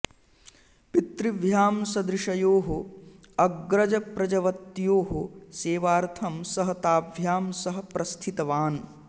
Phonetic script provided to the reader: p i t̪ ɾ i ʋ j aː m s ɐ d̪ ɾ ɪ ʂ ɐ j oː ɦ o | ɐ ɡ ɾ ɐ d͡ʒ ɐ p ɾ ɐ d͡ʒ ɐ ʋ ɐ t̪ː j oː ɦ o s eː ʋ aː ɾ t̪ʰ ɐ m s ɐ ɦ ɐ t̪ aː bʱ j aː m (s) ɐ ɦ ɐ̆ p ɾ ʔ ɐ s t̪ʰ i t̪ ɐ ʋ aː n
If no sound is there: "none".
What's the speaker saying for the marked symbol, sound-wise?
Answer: s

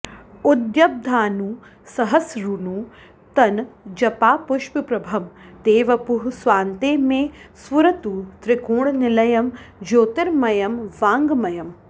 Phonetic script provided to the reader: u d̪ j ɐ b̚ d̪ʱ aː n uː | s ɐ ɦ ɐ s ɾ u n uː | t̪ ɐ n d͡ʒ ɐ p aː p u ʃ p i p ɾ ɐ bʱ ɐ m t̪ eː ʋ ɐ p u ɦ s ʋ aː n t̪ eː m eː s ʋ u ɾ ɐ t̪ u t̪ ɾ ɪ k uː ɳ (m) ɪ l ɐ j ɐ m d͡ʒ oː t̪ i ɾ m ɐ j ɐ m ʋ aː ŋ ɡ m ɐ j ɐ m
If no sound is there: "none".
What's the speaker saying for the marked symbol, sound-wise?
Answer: n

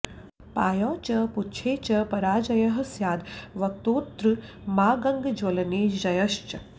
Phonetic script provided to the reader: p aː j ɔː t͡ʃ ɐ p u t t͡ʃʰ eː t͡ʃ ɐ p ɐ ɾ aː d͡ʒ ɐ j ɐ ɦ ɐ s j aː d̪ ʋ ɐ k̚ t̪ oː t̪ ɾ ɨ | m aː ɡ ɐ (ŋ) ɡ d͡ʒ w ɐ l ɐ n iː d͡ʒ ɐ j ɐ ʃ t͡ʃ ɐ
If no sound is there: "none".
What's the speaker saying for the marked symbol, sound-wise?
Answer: ŋ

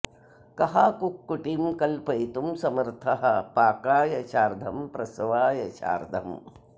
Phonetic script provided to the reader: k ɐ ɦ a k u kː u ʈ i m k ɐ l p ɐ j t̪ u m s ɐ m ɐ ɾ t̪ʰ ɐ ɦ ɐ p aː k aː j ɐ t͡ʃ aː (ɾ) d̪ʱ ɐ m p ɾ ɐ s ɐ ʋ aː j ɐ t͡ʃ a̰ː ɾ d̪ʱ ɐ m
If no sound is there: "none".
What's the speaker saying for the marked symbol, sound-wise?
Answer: ɾ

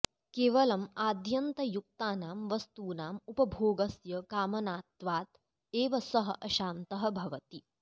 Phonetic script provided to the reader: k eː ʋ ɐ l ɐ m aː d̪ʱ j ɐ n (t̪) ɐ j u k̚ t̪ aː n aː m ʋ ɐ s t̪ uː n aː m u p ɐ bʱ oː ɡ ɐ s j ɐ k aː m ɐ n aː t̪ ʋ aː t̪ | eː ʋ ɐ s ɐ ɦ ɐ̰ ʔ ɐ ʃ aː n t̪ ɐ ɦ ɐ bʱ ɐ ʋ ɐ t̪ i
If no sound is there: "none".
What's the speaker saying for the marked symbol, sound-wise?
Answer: t̪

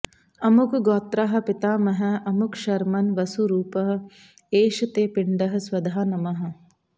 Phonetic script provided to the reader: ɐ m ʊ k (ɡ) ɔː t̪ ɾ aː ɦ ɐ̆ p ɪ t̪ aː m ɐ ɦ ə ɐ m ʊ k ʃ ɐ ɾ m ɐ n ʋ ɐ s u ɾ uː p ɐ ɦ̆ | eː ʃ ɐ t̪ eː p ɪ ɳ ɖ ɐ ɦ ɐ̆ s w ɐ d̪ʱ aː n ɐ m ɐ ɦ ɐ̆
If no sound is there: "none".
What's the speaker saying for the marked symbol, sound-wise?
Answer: ɡ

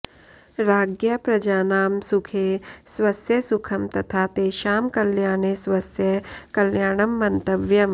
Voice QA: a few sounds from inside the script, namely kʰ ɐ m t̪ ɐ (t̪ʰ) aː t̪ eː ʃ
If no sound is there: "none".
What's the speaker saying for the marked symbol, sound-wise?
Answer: t̪ʰ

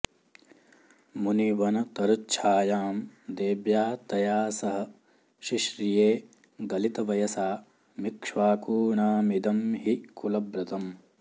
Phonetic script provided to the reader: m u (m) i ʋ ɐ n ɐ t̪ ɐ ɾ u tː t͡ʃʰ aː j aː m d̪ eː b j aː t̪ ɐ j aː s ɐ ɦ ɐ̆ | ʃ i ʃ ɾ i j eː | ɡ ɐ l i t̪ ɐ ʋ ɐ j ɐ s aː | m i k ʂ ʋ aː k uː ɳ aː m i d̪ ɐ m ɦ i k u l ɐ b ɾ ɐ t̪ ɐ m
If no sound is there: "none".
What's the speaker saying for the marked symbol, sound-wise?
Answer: n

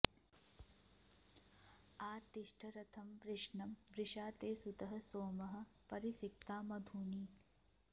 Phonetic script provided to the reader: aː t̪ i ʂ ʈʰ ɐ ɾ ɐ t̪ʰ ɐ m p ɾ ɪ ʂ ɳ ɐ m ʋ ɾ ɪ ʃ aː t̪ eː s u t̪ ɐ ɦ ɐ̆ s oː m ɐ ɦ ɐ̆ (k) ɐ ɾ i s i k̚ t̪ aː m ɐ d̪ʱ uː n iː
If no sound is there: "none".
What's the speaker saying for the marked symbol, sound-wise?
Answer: p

